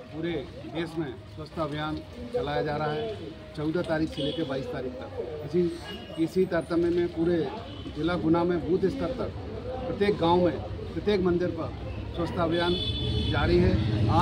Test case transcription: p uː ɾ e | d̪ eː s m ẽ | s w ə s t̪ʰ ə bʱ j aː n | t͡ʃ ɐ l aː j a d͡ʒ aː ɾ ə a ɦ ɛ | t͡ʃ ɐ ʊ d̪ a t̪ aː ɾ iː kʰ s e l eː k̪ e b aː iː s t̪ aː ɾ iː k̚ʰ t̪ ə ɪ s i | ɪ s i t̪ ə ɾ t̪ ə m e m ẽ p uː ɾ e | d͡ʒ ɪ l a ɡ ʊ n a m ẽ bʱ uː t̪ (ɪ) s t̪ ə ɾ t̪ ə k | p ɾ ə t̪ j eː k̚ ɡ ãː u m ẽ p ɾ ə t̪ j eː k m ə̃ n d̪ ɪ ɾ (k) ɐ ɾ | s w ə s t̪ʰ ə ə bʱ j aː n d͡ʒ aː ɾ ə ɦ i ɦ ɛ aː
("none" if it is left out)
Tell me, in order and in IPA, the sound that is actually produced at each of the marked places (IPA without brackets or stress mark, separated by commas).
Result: ɪ, p